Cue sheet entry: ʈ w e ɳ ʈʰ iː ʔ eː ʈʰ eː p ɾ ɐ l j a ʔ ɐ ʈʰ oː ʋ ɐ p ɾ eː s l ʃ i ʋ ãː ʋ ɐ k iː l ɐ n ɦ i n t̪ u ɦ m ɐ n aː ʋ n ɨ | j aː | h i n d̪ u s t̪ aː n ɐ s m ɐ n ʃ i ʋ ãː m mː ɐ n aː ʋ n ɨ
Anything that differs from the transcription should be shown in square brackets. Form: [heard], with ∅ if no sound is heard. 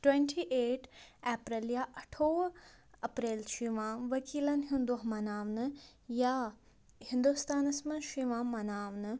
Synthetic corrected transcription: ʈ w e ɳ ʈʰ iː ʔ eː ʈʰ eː p ɾ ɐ l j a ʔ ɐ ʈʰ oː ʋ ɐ p ɾ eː [∅] l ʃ i ʋ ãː ʋ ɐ k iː l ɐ n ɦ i n [d̪] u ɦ m ɐ n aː ʋ n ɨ | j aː | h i n d̪ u s t̪ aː n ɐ s m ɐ n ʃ i ʋ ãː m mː ɐ n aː ʋ n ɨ